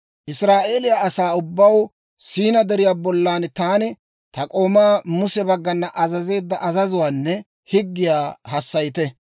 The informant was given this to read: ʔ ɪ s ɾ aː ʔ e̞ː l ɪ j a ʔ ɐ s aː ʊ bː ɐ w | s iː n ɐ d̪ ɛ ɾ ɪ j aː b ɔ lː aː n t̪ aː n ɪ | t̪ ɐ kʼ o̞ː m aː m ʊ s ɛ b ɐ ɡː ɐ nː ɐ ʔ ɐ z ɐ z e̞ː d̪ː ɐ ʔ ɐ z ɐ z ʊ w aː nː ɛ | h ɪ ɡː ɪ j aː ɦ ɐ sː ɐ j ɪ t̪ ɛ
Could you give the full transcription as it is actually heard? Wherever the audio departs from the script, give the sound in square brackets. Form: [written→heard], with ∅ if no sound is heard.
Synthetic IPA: ʔ ɪ s ɾ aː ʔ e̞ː l ɪ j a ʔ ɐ s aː ʊ bː ɐ w | s iː n ɐ d̪ ɛ ɾ ɪ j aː b ɔ lː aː n t̪ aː n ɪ | t̪ ɐ kʼ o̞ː m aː m ʊ s ɛ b ɐ ɡː ɐ nː ɐ ʔ ɐ z ɐ z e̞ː d̪ː ɐ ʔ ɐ z ɐ z ʊ w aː nː ɛ | h ɪ ɡː ɪ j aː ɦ ɐ sː ɐ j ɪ t̪ ɛ